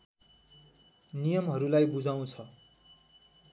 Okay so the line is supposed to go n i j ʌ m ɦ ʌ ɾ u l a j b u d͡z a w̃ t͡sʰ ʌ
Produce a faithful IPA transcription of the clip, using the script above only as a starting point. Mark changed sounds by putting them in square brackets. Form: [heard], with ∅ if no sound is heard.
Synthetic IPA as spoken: n i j ʌ m ɦ ʌ ɾ u l a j b u d͡z a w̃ t͡sʰ ʌ